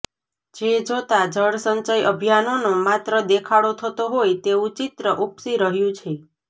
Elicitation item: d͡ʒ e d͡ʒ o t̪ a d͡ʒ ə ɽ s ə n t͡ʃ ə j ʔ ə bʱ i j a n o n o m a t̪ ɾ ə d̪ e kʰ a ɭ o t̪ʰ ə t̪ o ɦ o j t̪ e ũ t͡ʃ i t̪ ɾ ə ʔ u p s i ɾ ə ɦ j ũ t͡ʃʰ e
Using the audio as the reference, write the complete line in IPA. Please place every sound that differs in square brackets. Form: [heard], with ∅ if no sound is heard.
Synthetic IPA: d͡ʒ e d͡ʒ o t̪ a d͡ʒ ə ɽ s ə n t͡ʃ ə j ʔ ə bʱ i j a n o n o m a t̪ ɾ ə d̪ e kʰ a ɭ o t̪ʰ ə t̪ o ɦ o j t̪ e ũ t͡ʃ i t̪ ɾ ə ʔ u p s i ɾ ə ɦ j ũ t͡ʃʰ e